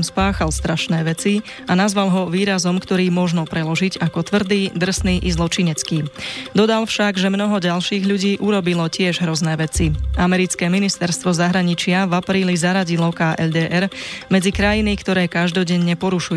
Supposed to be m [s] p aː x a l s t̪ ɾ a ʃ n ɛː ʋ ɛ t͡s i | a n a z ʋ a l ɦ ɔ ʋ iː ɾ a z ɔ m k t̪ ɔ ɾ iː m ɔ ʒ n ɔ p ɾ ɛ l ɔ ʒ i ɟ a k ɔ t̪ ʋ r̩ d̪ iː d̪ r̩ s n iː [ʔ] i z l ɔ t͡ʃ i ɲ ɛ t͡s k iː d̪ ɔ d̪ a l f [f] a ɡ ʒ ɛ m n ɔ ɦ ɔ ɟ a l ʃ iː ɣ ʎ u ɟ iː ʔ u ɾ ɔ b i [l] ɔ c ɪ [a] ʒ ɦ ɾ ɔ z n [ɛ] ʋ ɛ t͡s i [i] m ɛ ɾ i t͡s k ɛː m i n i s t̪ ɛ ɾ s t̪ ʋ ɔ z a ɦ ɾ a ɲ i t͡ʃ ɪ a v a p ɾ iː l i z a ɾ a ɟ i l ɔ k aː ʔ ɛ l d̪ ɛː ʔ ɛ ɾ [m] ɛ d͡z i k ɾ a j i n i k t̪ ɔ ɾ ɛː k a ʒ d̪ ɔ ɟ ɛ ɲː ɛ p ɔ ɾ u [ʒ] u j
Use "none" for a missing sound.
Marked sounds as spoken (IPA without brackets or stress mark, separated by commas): s, ʔ, ʃ, l, ɛ, ɛː, a, m, ʃ